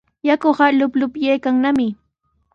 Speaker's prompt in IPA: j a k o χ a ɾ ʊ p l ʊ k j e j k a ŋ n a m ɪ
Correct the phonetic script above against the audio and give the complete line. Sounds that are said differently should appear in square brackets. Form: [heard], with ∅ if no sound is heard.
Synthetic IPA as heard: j a k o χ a [l] ʊ p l ʊ [p] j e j k a ŋ n a m ɪ